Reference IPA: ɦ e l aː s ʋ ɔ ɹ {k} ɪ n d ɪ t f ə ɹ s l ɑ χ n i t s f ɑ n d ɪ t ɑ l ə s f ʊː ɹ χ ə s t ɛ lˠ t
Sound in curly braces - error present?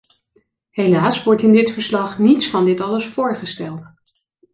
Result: yes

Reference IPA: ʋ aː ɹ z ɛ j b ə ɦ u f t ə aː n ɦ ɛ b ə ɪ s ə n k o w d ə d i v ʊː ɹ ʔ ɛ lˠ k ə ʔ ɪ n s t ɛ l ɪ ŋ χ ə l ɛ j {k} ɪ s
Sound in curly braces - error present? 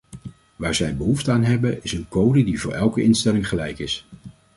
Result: no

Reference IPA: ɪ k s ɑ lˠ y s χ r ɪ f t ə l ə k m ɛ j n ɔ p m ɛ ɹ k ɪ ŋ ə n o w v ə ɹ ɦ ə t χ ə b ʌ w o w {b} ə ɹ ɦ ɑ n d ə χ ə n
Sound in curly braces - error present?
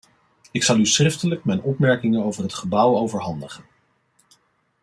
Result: yes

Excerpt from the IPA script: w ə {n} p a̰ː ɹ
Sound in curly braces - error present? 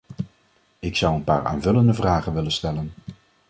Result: no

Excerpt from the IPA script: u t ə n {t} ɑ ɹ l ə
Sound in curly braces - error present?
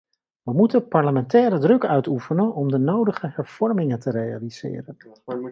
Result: yes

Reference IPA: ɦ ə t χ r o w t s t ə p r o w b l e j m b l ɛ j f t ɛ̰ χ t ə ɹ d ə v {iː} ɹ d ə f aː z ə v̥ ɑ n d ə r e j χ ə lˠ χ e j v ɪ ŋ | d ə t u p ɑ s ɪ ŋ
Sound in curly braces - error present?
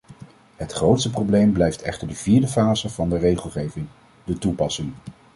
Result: no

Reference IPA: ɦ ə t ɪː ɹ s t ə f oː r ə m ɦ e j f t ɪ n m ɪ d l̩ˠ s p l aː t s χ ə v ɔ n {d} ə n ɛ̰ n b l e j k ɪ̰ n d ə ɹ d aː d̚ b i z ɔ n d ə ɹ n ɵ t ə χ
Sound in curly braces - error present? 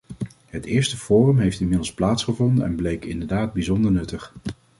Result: no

